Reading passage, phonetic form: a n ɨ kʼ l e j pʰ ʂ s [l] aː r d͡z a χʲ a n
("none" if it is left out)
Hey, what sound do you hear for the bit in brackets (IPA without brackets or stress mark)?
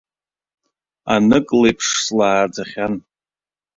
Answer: l